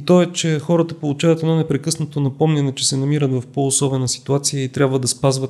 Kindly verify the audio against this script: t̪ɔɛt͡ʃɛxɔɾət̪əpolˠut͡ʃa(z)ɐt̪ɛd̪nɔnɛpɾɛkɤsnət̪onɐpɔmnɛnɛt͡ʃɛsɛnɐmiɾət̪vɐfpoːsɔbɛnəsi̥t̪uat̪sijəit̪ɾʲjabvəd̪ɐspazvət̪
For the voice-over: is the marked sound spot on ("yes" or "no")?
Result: no